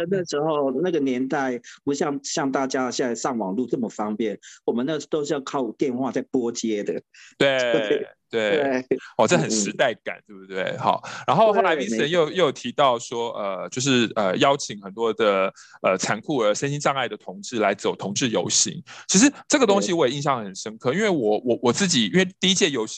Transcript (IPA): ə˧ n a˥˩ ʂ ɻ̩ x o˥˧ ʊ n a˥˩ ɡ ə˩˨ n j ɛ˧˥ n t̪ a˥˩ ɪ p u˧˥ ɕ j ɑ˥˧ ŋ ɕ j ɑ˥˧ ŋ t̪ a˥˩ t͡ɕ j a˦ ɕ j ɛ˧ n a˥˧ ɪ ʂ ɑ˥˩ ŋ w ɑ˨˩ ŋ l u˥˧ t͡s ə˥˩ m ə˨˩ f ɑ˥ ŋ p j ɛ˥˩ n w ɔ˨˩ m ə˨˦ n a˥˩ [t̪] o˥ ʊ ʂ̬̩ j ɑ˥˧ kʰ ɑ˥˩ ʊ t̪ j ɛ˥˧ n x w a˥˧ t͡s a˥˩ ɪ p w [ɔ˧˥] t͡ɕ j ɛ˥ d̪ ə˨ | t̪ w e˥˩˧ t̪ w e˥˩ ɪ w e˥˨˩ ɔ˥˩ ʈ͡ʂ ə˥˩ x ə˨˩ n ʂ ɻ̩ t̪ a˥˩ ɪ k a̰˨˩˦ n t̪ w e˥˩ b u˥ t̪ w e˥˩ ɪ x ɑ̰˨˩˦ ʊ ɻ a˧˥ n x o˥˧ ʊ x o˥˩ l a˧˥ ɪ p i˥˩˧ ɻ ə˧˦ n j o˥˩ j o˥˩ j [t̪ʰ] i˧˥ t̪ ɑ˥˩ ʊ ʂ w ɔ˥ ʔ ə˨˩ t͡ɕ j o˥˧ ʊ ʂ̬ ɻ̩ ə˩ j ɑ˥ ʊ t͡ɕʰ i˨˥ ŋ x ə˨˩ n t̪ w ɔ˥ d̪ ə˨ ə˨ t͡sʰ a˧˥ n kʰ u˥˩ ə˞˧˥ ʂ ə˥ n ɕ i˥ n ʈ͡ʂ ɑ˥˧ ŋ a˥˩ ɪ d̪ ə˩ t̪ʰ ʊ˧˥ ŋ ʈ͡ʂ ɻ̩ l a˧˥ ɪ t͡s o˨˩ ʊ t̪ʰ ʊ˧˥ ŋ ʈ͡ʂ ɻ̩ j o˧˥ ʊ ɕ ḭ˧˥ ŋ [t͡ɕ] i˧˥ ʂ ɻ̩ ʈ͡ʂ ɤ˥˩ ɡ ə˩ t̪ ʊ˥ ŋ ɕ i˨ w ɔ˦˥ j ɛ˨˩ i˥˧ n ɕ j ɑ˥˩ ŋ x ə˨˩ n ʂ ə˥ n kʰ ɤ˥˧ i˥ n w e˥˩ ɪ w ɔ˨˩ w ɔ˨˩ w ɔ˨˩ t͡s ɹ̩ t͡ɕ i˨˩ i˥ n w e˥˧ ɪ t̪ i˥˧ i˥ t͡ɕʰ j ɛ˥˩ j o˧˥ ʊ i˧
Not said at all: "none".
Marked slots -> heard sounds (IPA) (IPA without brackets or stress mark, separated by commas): t̪, ɔ˥, t̪ʰ, t͡ɕʰ